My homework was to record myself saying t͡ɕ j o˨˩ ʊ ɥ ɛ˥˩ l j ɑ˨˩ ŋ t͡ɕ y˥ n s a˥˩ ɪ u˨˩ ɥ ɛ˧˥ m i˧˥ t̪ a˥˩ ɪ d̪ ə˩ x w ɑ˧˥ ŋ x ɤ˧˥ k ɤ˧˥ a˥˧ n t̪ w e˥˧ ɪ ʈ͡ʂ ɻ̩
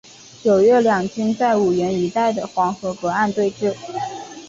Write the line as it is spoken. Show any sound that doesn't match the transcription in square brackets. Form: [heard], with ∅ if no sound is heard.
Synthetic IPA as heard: t͡ɕ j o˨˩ ʊ ɥ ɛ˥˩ l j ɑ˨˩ ŋ t͡ɕ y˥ n [t͡s] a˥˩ ɪ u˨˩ ɥ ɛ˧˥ [n] i˧˥ t̪ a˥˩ ɪ d̪ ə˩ x w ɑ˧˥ ŋ x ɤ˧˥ k ɤ˧˥ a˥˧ n t̪ w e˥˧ ɪ ʈ͡ʂ ɻ̩